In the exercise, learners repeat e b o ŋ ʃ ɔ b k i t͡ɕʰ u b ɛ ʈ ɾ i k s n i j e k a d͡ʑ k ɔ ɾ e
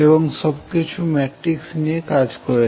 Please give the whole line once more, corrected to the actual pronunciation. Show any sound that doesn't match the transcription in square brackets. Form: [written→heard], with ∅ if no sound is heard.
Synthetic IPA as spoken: e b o ŋ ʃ ɔ b k i t͡ɕʰ u [b→m] ɛ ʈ ɾ i k s n i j e k a d͡ʑ k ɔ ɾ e